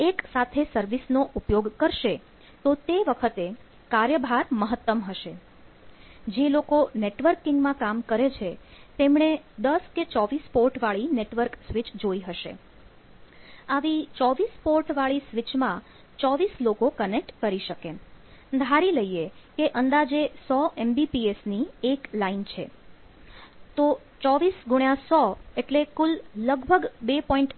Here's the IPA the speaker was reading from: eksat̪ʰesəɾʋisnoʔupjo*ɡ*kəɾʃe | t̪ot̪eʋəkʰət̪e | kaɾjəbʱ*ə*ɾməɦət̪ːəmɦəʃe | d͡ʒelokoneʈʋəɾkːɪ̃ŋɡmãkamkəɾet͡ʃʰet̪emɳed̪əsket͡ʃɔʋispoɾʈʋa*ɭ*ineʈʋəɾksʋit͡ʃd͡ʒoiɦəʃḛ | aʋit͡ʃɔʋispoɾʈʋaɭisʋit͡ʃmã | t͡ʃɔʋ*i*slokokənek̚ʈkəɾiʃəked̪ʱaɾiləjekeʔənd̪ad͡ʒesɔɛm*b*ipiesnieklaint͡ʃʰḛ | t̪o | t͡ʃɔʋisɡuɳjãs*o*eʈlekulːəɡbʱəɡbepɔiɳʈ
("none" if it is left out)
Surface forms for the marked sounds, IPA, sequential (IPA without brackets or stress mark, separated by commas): ɡ, a, ɭ, i, b, ɔ